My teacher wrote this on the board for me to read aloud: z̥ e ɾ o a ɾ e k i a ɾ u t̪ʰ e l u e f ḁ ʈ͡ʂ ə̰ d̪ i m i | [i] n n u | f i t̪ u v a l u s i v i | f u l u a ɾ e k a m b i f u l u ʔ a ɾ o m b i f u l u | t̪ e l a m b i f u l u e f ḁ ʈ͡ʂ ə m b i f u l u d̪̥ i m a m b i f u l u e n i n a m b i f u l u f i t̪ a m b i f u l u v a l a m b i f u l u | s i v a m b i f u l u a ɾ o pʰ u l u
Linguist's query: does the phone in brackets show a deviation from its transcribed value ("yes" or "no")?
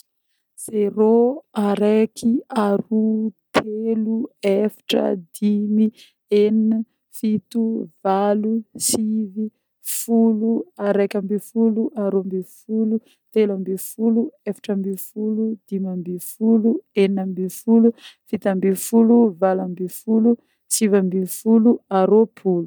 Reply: yes